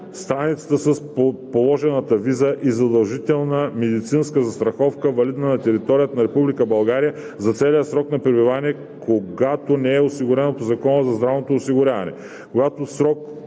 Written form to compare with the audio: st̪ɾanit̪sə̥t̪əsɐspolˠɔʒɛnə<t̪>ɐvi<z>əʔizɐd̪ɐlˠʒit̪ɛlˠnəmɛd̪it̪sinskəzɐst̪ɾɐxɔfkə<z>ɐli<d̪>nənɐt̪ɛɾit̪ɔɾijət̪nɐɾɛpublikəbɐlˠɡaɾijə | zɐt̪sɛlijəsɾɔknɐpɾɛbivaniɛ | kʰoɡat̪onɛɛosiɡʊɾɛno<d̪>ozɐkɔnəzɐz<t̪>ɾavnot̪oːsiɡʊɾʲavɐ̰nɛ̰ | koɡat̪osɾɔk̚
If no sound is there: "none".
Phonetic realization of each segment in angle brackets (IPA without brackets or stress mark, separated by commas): t̪, z, v, d̪, t̪, d̪